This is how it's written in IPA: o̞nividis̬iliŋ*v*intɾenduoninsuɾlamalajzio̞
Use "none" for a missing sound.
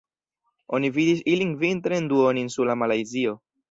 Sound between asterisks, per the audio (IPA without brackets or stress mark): v